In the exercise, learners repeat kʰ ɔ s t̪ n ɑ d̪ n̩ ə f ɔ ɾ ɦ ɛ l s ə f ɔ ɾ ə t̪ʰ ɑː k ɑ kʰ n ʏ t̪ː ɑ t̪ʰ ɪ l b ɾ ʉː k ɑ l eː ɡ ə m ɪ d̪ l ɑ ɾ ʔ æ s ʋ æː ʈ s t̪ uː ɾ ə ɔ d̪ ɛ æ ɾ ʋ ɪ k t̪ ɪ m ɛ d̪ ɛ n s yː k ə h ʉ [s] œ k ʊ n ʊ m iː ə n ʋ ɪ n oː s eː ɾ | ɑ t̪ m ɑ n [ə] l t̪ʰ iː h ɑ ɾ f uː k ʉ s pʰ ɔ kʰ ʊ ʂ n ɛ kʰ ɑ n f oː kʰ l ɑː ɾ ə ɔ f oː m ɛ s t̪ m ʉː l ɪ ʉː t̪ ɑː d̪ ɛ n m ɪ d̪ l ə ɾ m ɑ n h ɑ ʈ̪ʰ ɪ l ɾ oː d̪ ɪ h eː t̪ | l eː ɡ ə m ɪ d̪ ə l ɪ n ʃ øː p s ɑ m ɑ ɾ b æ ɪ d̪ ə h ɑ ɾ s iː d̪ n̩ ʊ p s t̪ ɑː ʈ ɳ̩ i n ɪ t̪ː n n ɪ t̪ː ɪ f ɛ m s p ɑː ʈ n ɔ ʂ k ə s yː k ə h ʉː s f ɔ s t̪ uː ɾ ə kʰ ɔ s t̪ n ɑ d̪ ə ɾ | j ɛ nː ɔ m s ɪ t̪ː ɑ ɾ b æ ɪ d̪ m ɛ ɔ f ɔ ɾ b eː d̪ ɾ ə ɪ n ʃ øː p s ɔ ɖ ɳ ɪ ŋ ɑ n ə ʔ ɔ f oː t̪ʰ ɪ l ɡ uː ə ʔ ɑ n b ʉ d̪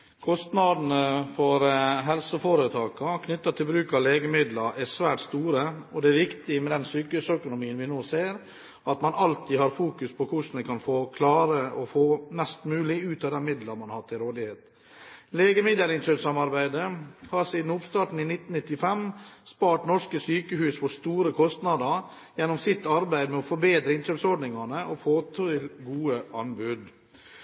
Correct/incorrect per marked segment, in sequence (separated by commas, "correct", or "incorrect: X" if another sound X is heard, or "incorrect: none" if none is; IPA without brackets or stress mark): correct, incorrect: ɑ